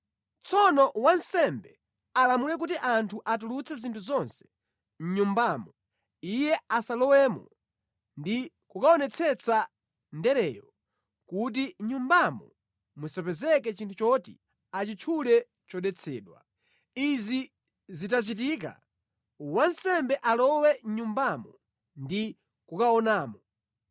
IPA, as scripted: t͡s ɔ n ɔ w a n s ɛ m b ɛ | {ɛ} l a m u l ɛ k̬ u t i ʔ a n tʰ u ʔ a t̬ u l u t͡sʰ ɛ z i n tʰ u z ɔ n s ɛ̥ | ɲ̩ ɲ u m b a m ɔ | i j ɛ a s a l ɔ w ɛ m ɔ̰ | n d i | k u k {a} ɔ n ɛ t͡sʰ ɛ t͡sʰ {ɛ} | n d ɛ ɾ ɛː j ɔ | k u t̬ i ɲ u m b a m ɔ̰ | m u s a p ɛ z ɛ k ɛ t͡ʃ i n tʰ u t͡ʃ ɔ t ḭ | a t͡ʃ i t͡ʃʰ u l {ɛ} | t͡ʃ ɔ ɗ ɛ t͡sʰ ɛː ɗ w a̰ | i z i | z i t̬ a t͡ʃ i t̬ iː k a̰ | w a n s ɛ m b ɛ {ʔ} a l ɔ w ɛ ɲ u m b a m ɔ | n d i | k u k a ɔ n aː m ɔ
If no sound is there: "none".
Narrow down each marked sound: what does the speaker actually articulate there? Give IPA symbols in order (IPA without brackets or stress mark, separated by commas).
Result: a, a, a, ɛ, ʔ